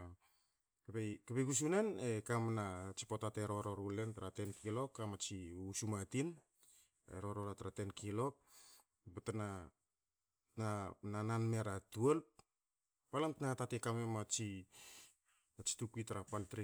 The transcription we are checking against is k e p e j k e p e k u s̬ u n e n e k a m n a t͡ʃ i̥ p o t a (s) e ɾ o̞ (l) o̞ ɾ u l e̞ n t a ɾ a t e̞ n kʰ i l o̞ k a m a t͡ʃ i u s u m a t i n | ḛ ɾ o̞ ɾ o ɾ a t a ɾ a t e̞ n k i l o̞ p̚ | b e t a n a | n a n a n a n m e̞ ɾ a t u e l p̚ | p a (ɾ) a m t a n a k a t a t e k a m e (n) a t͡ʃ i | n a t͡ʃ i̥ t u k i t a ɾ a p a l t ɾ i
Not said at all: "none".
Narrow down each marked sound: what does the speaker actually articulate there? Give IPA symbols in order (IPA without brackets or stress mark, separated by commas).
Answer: t, ɾ, l, m